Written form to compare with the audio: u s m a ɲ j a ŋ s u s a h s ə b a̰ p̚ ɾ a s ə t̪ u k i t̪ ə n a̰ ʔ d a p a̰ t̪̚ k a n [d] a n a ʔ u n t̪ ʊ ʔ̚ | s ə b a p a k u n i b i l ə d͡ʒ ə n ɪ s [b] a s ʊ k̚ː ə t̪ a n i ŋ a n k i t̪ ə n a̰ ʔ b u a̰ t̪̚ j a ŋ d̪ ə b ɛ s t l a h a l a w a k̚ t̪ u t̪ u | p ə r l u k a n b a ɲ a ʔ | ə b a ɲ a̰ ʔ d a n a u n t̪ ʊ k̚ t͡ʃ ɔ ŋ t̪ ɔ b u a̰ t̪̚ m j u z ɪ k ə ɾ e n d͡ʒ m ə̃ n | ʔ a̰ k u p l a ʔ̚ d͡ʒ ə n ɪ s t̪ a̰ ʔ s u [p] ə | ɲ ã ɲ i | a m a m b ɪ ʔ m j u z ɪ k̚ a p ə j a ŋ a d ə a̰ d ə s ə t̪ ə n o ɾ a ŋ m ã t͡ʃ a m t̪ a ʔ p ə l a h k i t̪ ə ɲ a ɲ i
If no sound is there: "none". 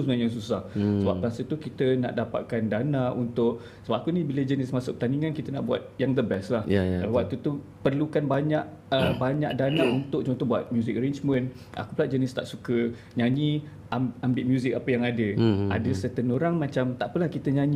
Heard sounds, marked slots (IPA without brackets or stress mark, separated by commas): d, m, k